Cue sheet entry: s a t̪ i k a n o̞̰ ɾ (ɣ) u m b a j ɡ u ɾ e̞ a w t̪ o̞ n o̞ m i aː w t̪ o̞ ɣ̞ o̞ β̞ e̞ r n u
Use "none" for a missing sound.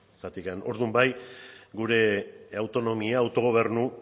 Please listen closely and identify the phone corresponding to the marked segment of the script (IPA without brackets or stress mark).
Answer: ð